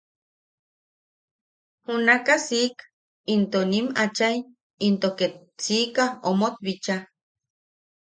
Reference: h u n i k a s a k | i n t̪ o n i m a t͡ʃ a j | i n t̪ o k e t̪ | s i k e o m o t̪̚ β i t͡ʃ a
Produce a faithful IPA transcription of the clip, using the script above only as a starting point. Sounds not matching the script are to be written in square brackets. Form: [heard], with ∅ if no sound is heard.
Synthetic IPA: h u n [a] k a s [i] k | i n t̪ o n i m a t͡ʃ a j | i n t̪ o k e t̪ | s i k [a] o m o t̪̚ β i t͡ʃ a